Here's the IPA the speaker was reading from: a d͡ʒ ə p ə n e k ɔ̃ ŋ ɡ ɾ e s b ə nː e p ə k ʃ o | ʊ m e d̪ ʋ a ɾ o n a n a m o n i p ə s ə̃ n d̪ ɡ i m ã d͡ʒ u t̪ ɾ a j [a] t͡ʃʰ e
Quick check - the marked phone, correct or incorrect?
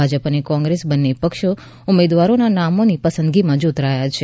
correct